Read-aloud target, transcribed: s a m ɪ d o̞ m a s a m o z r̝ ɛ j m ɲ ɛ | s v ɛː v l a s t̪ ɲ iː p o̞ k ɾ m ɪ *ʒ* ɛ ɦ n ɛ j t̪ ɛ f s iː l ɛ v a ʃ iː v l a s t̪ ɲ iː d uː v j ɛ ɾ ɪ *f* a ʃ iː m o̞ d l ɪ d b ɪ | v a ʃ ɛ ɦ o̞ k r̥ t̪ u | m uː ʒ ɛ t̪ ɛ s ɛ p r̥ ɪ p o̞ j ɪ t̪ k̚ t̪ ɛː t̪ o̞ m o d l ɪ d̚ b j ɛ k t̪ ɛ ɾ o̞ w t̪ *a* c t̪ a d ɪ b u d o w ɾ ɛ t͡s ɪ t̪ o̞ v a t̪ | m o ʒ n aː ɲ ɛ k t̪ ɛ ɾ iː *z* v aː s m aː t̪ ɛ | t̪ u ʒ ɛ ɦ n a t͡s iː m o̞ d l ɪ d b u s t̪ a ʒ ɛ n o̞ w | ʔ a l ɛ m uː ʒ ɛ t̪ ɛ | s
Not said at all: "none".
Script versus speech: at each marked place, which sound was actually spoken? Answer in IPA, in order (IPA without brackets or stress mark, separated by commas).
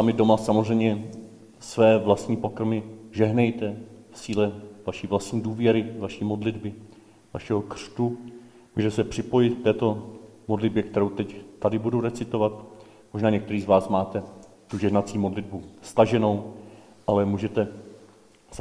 ʒ, v, ɛ, z